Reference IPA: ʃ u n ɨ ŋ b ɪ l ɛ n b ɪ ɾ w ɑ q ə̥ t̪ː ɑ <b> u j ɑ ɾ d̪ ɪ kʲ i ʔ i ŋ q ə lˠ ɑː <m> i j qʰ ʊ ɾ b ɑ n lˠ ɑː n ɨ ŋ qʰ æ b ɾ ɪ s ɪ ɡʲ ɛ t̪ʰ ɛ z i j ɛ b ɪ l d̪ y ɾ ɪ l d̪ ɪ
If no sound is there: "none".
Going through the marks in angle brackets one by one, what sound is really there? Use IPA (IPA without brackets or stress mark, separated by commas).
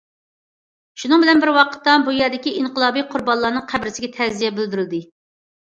b, b